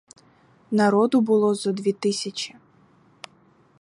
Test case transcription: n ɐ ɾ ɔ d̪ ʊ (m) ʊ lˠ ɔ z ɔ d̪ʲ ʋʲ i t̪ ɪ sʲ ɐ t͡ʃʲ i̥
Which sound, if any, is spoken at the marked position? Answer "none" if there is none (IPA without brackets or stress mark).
b